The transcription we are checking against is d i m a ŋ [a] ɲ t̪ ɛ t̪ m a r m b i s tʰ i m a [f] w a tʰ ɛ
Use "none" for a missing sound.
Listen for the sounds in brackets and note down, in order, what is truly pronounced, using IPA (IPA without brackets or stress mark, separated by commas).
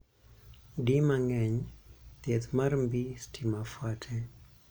ɛ, f